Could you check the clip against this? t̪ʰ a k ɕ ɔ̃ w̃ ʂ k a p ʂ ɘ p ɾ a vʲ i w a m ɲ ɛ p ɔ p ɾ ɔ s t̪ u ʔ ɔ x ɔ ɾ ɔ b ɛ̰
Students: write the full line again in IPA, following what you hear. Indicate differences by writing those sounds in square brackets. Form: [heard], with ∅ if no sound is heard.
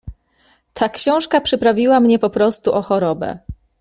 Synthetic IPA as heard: t̪ʰ a k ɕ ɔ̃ w̃ ʂ k a p ʂ ɘ p ɾ a vʲ i w a m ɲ ɛ p ɔ p ɾ ɔ s t̪ u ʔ ɔ x ɔ ɾ ɔ b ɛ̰